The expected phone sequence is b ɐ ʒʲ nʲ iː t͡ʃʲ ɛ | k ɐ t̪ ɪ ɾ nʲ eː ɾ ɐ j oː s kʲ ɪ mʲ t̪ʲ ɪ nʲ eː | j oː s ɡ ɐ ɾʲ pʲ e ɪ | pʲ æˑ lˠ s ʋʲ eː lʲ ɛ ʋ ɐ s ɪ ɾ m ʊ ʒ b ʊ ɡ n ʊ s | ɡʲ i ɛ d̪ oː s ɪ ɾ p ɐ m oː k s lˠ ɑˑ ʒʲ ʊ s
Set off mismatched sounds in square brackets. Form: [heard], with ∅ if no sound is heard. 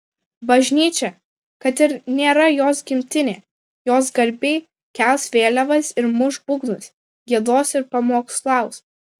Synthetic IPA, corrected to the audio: b ɐ ʒʲ nʲ iː t͡ʃʲ ɛ | k ɐ t̪ ɪ ɾ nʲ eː ɾ ɐ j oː s [ɡʲ] ɪ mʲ t̪ʲ ɪ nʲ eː | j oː s ɡ ɐ ɾʲ [bʲ] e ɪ | [kʲ] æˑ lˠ s ʋʲ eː lʲ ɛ ʋ ɐ s ɪ ɾ m ʊ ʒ b ʊ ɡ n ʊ s | ɡʲ i ɛ d̪ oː s ɪ ɾ p ɐ m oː k s lˠ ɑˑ [∅] ʊ s